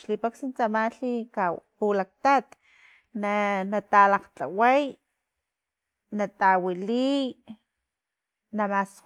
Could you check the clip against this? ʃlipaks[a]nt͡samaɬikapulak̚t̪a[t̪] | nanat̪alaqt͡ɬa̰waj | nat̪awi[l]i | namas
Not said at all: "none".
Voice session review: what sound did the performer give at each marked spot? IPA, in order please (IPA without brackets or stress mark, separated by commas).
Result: i, t̪, l